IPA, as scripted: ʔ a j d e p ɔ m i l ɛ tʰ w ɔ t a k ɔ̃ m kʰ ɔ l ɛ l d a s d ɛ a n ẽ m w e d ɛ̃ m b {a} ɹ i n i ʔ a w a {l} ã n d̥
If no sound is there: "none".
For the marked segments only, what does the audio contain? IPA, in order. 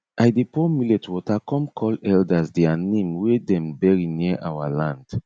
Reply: ɛ, l

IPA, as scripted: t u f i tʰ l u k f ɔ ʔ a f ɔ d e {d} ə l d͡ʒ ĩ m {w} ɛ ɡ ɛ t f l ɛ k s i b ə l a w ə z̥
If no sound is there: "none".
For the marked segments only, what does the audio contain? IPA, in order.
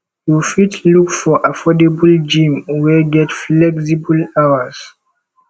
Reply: b, w

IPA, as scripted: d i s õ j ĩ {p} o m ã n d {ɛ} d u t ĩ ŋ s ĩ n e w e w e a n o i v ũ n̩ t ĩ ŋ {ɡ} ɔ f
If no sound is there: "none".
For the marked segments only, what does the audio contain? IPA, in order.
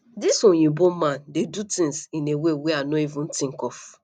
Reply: b, e, k

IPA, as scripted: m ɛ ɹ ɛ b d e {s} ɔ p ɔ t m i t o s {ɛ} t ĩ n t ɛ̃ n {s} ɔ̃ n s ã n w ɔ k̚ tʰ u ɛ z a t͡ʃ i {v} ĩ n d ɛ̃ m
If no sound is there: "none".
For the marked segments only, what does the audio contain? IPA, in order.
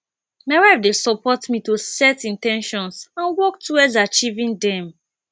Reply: s, ɛ, ʃ, v

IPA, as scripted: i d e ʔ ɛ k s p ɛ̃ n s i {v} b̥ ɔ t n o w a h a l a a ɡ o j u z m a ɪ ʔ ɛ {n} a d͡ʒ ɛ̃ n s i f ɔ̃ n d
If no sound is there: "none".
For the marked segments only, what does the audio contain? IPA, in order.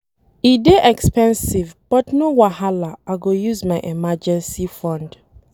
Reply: v, m

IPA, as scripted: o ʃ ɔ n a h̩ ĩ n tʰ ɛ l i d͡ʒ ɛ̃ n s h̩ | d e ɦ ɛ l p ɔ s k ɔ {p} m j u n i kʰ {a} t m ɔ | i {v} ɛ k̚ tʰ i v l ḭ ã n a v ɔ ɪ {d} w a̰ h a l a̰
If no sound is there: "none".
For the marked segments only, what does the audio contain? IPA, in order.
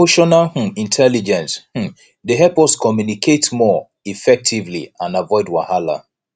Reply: none, e, f, d

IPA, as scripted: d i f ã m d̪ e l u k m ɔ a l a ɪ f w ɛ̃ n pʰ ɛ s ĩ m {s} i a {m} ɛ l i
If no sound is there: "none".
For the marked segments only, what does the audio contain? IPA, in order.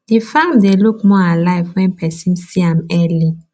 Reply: s, m

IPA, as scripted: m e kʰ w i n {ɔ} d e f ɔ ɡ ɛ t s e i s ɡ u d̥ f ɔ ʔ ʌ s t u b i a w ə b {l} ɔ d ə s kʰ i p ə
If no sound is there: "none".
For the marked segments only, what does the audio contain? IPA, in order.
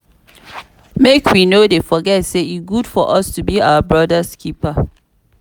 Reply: o, ɹ

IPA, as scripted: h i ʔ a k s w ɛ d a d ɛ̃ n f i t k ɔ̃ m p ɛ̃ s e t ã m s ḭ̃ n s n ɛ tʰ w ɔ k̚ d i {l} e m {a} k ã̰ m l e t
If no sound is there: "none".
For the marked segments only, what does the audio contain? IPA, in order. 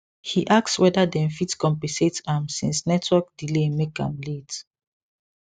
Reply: l, e

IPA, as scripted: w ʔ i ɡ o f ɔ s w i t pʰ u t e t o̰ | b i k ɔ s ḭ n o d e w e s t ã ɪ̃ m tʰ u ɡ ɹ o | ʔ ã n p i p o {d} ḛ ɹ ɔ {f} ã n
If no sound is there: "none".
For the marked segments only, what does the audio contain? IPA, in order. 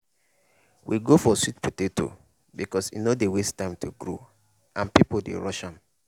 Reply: d, ʃ

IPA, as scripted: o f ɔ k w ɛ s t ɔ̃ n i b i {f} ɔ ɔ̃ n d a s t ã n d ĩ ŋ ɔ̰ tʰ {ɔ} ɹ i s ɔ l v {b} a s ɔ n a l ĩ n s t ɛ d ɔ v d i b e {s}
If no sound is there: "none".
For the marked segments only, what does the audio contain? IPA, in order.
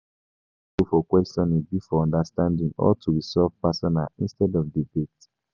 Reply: f, u, p, t

